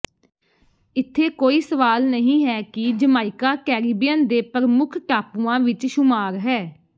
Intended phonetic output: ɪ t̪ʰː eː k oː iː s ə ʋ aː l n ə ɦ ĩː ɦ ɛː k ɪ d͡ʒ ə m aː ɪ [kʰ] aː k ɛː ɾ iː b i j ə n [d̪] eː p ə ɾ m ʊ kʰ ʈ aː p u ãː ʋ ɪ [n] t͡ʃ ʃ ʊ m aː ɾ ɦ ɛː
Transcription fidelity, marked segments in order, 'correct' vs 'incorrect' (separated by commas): incorrect, correct, incorrect